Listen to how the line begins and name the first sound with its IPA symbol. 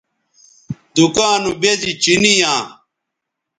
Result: d̪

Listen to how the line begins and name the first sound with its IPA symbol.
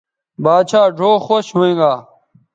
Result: b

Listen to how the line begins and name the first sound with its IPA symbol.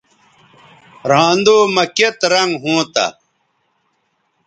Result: ɾ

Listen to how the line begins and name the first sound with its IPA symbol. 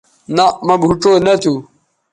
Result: n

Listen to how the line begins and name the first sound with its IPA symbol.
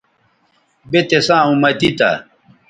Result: b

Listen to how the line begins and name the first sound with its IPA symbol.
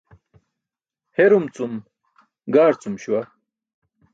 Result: h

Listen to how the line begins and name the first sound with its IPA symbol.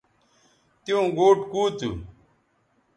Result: t̪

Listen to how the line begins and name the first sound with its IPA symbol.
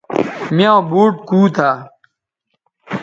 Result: m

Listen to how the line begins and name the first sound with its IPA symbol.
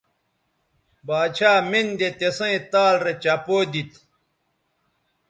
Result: b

